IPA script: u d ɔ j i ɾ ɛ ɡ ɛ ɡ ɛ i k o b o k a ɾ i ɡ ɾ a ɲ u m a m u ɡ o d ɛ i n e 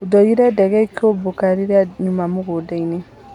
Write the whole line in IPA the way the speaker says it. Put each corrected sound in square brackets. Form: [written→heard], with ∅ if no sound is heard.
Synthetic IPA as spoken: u d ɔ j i ɾ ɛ [ɡ→d] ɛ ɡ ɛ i k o b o k a ɾ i [ɡ→∅] ɾ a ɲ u m a m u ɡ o d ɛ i n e